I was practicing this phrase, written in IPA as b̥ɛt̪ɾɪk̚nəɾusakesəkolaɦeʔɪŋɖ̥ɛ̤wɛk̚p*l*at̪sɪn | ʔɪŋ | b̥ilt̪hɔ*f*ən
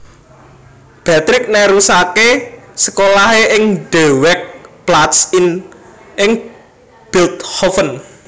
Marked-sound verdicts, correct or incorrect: correct, correct

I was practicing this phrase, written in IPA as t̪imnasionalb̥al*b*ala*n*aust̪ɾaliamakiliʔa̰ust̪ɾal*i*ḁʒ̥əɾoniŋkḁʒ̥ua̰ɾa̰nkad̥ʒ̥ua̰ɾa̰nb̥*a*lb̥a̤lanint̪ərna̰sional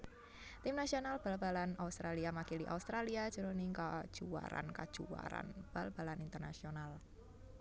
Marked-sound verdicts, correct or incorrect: correct, correct, correct, correct

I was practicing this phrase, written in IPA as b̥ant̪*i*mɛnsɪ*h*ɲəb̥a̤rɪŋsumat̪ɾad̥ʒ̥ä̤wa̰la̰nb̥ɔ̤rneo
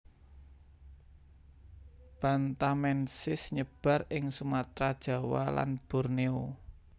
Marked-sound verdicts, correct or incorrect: incorrect: a, incorrect: s

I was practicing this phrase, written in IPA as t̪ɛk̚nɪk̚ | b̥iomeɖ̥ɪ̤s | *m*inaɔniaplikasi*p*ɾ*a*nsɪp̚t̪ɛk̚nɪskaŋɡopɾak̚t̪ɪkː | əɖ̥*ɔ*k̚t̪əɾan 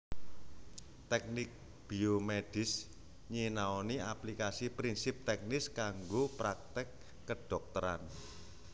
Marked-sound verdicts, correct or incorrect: incorrect: ɲ, correct, incorrect: i, correct

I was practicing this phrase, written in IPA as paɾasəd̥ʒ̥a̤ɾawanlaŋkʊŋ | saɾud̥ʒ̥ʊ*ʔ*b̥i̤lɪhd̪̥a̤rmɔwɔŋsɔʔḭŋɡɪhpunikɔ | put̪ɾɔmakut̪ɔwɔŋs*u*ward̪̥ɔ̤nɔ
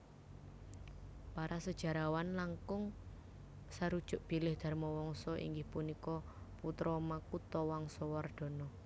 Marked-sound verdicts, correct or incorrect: correct, incorrect: ɔ

